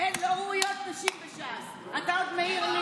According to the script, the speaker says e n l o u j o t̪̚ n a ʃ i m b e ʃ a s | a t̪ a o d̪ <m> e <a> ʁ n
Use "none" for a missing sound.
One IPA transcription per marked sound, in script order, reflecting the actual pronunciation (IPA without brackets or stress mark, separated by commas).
m, i